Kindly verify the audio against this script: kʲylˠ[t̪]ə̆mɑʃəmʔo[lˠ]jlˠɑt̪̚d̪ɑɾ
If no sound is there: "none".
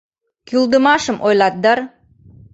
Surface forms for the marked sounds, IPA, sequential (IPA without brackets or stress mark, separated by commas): d̪, none